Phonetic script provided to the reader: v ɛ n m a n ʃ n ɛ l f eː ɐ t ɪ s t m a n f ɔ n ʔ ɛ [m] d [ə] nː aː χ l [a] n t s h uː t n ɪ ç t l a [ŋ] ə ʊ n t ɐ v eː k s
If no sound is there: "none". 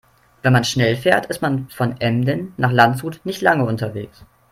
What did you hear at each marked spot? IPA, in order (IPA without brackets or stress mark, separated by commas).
m, ə, a, ŋ